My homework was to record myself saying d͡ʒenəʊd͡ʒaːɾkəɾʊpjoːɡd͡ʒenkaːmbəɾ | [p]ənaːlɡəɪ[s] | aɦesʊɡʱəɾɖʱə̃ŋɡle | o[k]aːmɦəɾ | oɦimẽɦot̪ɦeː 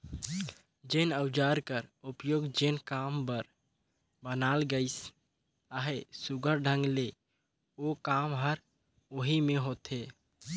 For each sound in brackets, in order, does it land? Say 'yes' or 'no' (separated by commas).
no, yes, yes